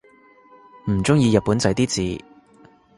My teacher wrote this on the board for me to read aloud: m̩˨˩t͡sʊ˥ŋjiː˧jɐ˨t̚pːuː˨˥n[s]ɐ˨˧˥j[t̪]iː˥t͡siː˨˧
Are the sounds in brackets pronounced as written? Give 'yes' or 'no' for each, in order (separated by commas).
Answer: no, yes